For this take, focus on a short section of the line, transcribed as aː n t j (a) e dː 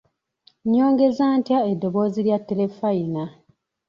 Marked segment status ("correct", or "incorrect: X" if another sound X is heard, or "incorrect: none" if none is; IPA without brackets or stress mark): correct